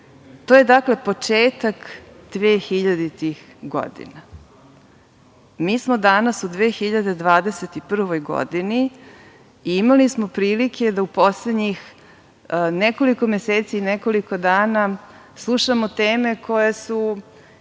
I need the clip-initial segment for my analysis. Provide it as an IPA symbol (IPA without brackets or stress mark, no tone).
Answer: t̪